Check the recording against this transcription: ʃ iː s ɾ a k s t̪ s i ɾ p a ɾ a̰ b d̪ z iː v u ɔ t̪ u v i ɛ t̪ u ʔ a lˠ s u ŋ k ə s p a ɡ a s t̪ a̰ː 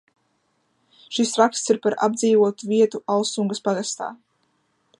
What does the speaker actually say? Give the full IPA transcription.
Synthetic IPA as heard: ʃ i s ɾ a k s t̪ s i ɾ p a ɾ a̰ b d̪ z iː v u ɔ t̪ u v i ɛ t̪ u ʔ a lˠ s u ŋ ɡ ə s p a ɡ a s t̪ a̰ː